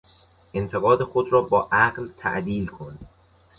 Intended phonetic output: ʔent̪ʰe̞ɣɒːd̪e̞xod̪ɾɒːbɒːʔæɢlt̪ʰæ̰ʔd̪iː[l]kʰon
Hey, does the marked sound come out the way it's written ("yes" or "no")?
yes